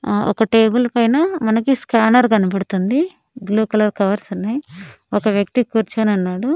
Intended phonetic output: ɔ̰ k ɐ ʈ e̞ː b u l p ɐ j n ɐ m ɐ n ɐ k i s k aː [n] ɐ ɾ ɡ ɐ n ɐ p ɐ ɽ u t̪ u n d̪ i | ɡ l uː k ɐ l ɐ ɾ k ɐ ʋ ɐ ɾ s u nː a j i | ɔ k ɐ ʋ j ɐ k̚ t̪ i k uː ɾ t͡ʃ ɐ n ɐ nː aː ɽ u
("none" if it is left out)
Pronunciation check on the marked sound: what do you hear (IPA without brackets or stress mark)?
n